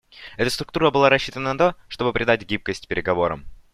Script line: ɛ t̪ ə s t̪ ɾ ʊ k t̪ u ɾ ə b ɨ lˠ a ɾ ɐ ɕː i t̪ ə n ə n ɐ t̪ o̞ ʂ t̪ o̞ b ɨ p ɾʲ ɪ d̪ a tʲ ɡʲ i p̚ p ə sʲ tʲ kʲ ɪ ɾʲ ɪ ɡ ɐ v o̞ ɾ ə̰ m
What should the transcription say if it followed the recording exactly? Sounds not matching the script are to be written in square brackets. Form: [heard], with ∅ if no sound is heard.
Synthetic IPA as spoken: ɛ t̪ ə s t̪ ɾ ʊ k t̪ u ɾ ə b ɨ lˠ a ɾ ɐ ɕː i t̪ ə n ə n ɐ t̪ o̞ ʂ t̪ o̞ b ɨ p ɾʲ ɪ d̪ a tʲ ɡʲ i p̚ [k] ə sʲ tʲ [pʲ] ɪ ɾʲ ɪ ɡ ɐ v o̞ ɾ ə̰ m

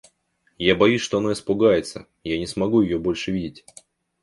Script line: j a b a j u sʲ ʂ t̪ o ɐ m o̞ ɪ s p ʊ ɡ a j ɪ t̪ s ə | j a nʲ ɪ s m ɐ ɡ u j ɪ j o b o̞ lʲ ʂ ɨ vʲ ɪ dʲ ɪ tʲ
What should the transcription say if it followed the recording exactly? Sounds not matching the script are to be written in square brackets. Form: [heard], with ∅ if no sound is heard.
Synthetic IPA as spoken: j a b [ɐ] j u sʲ ʂ t̪ o ɐ [n] o̞ ɪ s p ʊ ɡ a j ɪ t̪ s ə | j a nʲ ɪ s m ɐ ɡ u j ɪ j o b o̞ lʲ ʂ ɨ vʲ [i] dʲ ɪ tʲ

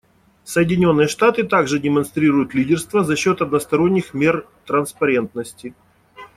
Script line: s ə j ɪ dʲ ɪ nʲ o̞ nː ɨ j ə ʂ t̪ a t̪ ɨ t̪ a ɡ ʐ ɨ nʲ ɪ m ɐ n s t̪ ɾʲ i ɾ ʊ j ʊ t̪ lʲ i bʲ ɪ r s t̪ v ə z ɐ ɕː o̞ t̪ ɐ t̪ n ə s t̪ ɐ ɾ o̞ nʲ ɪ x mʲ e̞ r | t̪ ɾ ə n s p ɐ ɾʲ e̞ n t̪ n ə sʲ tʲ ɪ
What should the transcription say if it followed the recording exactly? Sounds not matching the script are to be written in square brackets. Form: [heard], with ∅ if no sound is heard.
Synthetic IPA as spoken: s ə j ɪ dʲ ɪ nʲ o̞ nː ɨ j ə ʂ t̪ a t̪ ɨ t̪ a ɡ ʐ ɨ [dʲ] ɪ m ɐ n s t̪ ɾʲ i ɾ ʊ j ʊ t̪ lʲ i [dʲ] ɪ r s t̪ v ə z ɐ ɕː o̞ t̪ ɐ [d̪] n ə s t̪ ɐ ɾ o̞ [nʲː] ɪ x mʲ e̞ r | t̪ ɾ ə n s p ɐ ɾʲ e̞ n t̪ n ə sʲ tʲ ɪ

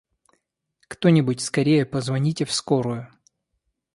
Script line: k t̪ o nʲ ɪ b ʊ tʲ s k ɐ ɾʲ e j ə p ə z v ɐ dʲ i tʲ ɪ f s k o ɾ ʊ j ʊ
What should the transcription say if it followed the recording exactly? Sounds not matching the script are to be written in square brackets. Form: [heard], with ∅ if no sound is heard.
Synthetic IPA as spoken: k t̪ o nʲ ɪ b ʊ tʲ s k ɐ ɾʲ e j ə p ə z v ɐ [nʲ] i tʲ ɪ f s k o ɾ ʊ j ʊ

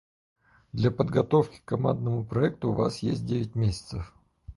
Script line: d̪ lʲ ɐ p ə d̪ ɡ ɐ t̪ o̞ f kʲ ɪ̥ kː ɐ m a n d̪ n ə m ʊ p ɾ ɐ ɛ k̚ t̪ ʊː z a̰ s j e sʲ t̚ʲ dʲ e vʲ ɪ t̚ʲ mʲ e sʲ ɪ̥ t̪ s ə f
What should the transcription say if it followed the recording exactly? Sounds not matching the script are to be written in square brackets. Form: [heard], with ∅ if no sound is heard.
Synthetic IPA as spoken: d̪ lʲ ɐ p ə d̪ ɡ ɐ t̪ o̞ f kʲ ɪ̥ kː ɐ m a n d̪ n ə m ʊ p ɾ ɐ ɛ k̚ t̪ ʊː [v] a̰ s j e sʲ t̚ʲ dʲ e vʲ ɪ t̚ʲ mʲ e sʲ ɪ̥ t̪ s ə f

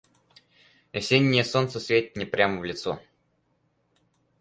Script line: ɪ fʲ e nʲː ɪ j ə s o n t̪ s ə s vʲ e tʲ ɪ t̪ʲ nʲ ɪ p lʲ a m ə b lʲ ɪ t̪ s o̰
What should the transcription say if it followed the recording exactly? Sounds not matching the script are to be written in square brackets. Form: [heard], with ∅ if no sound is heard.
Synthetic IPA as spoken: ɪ [sʲ] e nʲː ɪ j ə s o n t̪ s ə s vʲ e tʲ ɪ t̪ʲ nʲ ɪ p [ɾʲ] a m ə [v] lʲ ɪ t̪ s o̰

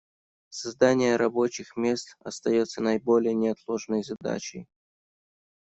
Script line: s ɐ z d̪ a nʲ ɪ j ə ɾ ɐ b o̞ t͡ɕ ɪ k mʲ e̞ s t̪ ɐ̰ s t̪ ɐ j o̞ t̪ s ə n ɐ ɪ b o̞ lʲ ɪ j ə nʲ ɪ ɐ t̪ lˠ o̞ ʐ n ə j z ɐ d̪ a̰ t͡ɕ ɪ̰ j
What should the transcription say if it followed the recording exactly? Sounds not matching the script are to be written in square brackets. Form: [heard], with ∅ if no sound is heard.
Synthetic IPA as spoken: s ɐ z d̪ a nʲ ɪ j ə ɾ ɐ b o̞ t͡ɕ ɪ [x] mʲ e̞ s t̪ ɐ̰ s t̪ ɐ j o̞ t̪ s ə n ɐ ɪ b o̞ lʲ ɪ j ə nʲ ɪ ɐ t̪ lˠ o̞ ʐ n ə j z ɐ d̪ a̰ t͡ɕ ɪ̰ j

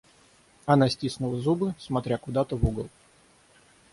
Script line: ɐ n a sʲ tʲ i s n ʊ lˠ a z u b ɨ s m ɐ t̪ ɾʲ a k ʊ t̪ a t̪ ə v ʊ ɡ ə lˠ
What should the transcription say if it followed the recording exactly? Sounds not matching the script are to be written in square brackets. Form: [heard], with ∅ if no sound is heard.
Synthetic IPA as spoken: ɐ n a sʲ tʲ i s n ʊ lˠ [ə] z u b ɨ s m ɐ t̪ ɾʲ a k ʊ [d̪] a t̪ ə v [u] ɡ ə lˠ

